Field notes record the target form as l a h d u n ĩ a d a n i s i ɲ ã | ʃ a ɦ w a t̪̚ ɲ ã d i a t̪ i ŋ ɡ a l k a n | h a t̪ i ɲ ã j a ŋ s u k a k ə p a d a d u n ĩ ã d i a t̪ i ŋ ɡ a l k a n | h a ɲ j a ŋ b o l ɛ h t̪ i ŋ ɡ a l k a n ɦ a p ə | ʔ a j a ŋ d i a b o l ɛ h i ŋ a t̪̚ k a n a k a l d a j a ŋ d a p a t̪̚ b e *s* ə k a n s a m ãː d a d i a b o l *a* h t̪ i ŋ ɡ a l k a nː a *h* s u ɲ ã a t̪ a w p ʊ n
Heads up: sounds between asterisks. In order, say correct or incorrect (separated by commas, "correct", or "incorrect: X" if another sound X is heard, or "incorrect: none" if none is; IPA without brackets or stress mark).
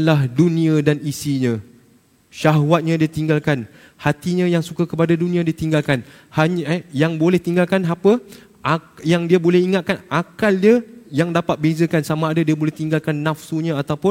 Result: incorrect: z, incorrect: ɛ, incorrect: f